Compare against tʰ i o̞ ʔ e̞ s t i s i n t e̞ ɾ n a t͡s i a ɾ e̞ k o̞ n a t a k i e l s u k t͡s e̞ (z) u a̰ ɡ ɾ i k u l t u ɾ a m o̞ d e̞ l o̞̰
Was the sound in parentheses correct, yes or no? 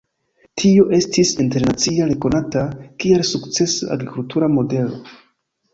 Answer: no